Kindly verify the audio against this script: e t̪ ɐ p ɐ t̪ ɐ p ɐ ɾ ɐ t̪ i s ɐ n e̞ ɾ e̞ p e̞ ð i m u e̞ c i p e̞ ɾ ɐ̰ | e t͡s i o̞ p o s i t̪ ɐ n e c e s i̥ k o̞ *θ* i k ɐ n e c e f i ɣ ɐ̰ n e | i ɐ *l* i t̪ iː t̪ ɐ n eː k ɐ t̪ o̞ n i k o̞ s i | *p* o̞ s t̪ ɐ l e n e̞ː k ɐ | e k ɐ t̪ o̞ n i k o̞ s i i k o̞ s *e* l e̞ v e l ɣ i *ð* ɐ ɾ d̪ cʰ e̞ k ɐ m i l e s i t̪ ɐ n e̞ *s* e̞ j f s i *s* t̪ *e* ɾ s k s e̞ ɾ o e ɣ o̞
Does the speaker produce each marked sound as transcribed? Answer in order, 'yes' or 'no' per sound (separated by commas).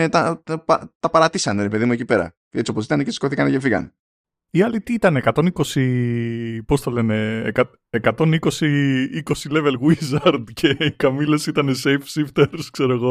yes, yes, yes, no, no, yes, no, yes